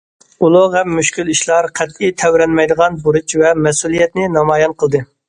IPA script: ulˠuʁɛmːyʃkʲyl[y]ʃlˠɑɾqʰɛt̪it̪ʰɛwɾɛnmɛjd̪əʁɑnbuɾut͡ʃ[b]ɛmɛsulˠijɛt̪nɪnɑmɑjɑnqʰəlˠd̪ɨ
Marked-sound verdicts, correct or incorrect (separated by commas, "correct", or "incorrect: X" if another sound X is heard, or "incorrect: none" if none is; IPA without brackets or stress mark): incorrect: i, incorrect: v